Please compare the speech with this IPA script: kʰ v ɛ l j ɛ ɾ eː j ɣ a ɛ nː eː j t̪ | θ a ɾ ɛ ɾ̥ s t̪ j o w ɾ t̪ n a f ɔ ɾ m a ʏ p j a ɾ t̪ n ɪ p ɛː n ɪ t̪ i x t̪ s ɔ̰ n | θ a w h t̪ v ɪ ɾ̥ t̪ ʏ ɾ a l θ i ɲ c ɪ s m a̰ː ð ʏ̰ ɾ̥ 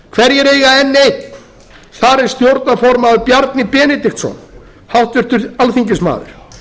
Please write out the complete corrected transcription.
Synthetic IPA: kʰ v ɛ ɾ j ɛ ɾ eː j ɣ a ɛ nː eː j t̪ | θ a ɾ ɛ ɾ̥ s t̪ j o w ɾ t̪ n a f ɔ ɾ m a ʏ p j a ɾ t̪ n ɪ p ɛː n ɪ t̪ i x t̪ s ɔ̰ n | h a w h t̪ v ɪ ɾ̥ t̪ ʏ ɾ a l θ i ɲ c ɪ s m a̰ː ð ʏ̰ ɾ̥